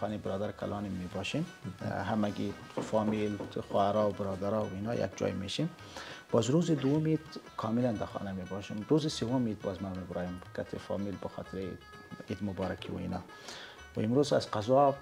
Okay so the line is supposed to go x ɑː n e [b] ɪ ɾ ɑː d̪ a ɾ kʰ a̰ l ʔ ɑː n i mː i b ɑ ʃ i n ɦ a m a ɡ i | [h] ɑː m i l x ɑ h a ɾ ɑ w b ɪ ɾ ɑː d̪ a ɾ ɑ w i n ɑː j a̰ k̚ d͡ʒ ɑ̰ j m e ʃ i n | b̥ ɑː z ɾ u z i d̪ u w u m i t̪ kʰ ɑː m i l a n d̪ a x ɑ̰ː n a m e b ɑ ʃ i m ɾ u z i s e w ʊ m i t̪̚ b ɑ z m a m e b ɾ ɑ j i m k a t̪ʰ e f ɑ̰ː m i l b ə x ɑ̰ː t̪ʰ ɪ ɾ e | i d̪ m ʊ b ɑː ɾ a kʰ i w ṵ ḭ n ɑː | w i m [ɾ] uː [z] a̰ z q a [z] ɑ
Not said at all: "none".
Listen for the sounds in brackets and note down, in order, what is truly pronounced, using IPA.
b, f, ɾ, z, z

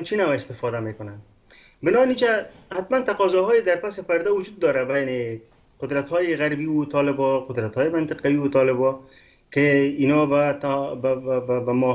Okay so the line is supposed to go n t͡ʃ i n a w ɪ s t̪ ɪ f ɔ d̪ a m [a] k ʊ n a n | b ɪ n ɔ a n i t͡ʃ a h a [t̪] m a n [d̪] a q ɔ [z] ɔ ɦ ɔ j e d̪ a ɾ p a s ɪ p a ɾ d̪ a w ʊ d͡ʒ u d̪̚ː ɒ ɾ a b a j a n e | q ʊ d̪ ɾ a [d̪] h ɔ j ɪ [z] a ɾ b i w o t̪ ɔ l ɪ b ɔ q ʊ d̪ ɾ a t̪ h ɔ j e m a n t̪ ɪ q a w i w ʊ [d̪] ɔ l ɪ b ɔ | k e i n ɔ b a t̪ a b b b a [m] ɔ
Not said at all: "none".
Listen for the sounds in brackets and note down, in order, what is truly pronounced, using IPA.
e, t̪, t̪, z, t̪, ɣ, t̪, m

